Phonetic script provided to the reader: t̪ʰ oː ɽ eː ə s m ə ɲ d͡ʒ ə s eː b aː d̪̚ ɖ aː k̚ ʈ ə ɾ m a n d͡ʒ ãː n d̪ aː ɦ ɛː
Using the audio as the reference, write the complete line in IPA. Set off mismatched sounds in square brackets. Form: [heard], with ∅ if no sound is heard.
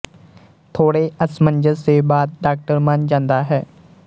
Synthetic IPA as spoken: t̪ʰ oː ɽ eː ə s m ə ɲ d͡ʒ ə s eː b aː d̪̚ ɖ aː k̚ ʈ ə ɾ m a n d͡ʒ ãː n d̪ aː ɦ ɛː